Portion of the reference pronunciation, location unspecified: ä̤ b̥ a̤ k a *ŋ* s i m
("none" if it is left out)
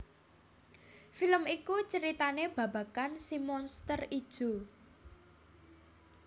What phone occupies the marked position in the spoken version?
n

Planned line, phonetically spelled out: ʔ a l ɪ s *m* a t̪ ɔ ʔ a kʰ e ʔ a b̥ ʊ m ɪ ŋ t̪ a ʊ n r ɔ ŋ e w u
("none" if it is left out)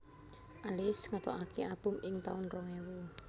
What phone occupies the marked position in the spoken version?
ŋ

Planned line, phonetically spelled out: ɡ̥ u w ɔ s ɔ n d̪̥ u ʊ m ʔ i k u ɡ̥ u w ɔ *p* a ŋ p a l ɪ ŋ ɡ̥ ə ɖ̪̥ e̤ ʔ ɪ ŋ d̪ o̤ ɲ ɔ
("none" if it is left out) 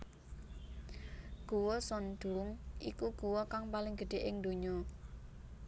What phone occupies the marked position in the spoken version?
k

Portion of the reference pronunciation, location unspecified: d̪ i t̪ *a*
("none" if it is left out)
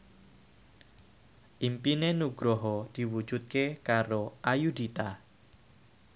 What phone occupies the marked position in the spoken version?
a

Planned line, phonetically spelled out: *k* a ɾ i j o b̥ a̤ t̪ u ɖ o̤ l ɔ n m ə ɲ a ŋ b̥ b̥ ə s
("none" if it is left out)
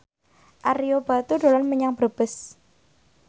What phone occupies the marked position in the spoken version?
ʔ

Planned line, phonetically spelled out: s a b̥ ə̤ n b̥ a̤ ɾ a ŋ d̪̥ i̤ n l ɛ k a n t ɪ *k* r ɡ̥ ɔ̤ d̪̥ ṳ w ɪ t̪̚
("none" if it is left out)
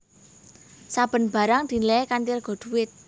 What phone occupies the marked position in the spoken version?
none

